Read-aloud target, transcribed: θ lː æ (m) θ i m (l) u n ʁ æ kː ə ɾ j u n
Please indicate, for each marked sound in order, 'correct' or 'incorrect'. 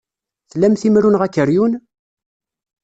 correct, incorrect: ɾ

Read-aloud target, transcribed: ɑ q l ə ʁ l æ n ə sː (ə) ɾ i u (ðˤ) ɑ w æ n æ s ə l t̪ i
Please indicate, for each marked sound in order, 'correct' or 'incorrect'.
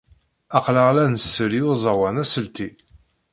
correct, incorrect: zˤ

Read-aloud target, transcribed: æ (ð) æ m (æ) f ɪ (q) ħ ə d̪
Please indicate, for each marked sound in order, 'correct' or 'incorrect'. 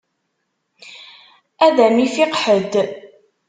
correct, incorrect: i, correct

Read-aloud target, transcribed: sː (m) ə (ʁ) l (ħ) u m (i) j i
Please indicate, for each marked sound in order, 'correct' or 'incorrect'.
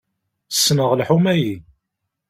incorrect: n, correct, correct, incorrect: æ

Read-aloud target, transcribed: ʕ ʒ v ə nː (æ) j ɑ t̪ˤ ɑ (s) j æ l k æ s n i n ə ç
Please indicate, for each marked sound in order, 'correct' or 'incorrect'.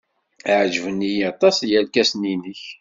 incorrect: i, correct

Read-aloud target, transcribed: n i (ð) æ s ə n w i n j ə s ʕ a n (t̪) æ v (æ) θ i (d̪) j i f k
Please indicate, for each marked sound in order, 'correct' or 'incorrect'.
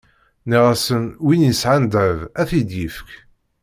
incorrect: ʁ, incorrect: d̪, correct, correct

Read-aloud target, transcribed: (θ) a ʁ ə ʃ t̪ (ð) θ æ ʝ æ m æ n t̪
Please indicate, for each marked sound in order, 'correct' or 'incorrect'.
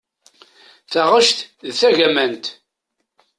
correct, correct

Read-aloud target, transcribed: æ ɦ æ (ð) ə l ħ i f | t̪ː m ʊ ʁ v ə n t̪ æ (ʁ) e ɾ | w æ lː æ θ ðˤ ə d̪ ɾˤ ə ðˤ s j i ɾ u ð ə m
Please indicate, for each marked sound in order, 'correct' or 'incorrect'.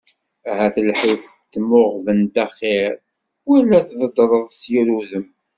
incorrect: θ, incorrect: χ

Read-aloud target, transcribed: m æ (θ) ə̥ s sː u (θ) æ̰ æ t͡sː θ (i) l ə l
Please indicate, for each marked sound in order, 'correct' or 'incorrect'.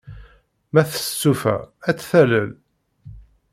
correct, incorrect: f, incorrect: æ

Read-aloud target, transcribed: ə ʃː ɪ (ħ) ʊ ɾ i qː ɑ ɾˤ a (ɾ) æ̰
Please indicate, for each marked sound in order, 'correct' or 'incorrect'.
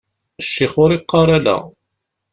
incorrect: χ, incorrect: l

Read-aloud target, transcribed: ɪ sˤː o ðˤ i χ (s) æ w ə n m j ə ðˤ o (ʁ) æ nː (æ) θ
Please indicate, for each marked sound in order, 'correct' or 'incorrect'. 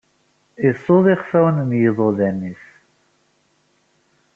incorrect: f, incorrect: ð, incorrect: i

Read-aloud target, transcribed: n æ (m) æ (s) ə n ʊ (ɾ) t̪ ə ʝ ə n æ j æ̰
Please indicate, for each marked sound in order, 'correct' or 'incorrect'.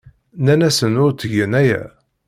incorrect: n, correct, correct

